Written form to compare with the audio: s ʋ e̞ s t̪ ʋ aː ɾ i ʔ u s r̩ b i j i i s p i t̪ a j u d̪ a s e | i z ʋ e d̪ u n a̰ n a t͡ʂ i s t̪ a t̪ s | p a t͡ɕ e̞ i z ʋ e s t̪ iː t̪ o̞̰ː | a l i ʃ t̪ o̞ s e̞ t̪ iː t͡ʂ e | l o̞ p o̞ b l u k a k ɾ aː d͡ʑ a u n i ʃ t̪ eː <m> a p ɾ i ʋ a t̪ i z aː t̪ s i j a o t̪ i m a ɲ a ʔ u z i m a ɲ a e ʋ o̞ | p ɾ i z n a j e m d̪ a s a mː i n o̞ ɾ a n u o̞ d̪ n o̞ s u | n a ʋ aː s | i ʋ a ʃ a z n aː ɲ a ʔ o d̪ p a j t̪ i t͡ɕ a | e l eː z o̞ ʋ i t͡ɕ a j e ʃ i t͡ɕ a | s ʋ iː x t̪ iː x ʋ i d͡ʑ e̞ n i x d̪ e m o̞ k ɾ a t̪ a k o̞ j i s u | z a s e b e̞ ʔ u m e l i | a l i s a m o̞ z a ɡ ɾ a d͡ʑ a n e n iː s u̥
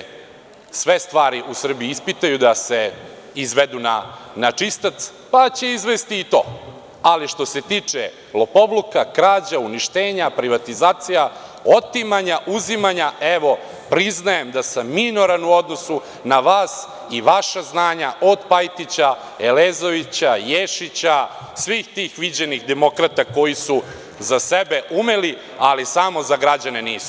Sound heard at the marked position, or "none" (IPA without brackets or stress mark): ɲ